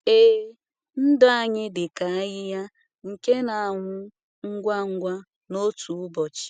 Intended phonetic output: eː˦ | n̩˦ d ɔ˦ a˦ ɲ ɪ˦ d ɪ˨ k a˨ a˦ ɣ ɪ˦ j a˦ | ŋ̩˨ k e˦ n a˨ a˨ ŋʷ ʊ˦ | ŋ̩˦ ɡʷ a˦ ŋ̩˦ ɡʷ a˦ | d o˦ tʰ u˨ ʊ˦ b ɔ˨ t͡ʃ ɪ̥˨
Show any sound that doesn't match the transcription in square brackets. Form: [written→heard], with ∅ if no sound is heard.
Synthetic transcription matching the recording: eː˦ | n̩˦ d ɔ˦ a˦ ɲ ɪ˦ d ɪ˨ k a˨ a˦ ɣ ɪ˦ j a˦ | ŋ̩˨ k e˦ n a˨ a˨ ŋʷ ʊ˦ | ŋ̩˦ ɡʷ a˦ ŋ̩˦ ɡʷ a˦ | [d→n] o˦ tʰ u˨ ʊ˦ b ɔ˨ t͡ʃ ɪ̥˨